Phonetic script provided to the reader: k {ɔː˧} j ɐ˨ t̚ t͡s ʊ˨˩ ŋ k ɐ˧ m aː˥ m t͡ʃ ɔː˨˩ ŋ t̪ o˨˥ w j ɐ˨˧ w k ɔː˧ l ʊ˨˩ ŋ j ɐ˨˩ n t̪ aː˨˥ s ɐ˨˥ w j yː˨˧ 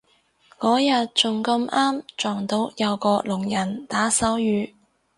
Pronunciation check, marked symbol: incorrect: ɔː˨˥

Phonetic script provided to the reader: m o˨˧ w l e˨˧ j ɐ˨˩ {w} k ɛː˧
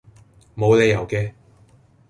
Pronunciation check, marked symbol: correct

